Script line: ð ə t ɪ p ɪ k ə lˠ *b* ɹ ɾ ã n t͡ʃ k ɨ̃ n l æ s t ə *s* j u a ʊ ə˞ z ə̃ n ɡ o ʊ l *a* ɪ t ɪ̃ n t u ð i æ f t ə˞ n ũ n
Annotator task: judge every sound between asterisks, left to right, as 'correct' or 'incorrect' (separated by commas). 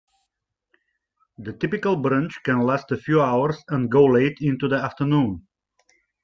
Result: correct, incorrect, incorrect